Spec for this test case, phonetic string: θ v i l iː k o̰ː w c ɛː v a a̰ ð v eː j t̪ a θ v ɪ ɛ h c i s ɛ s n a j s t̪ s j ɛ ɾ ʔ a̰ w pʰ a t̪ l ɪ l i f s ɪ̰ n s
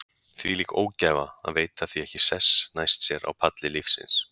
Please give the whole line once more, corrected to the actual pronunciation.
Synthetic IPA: θ v i l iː k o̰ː w c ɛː v a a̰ ð v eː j t̪ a θ v i ɛ h c ɪ s ɛ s n a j s t̪ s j ɛ ɾ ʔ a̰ w pʰ a t̪ l ɪ l i f s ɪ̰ n s